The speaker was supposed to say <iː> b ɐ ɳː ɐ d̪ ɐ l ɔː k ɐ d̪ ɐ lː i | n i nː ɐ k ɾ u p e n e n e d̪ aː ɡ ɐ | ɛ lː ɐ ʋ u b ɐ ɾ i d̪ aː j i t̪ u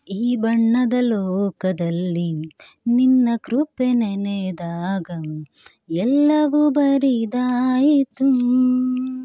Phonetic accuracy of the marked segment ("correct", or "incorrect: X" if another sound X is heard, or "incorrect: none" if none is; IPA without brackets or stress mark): correct